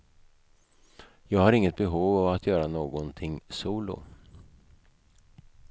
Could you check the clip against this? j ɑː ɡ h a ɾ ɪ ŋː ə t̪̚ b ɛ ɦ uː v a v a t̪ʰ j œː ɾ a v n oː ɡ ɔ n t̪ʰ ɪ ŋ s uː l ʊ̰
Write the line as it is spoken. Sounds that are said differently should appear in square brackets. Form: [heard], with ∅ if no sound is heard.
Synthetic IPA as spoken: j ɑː ɡ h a ɾ ɪ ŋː ə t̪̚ b ɛ ɦ uː v a v a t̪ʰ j œː ɾ a [∅] n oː ɡ ɔ n t̪ʰ ɪ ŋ s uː l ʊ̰

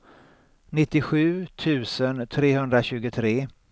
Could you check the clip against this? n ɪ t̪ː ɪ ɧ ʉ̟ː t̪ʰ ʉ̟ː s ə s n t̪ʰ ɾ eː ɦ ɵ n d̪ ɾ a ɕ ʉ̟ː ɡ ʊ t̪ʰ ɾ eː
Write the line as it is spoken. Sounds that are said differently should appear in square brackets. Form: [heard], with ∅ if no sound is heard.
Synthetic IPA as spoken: n ɪ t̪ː ɪ ɧ ʉ̟ː t̪ʰ ʉ̟ː s ə [∅] n t̪ʰ ɾ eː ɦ ɵ n d̪ ɾ a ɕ ʉ̟ː ɡ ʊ t̪ʰ ɾ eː

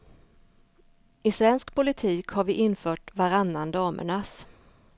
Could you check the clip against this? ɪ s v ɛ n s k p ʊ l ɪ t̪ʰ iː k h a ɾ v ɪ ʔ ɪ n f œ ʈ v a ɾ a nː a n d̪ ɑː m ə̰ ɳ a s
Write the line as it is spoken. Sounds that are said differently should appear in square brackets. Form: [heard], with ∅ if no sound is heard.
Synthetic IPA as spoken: ɪ s v ɛ n s k p ʊ l ɪ t̪ʰ iː k h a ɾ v ɪ ʔ ɪ n f [œː] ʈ v a ɾ a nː a n d̪ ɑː m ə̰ ɳ a s

